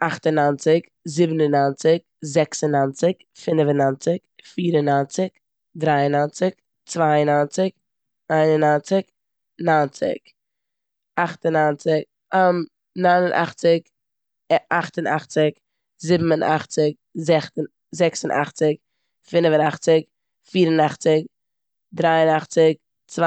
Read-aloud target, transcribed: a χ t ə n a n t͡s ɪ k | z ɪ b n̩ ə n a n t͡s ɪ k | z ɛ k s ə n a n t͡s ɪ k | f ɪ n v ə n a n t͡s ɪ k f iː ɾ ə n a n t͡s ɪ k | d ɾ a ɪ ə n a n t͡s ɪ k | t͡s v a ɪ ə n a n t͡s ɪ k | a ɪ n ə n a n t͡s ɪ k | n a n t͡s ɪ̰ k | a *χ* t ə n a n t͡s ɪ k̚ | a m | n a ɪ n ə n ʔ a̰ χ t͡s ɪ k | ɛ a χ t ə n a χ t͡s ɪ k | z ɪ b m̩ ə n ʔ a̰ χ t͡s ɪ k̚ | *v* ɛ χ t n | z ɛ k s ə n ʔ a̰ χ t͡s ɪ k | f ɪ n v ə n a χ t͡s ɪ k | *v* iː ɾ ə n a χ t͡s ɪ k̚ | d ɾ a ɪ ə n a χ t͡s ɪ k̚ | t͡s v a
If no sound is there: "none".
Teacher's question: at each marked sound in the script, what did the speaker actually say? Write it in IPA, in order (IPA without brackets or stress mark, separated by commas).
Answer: χ, z, f